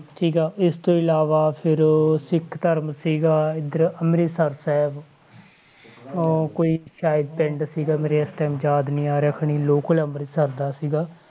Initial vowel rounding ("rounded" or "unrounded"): unrounded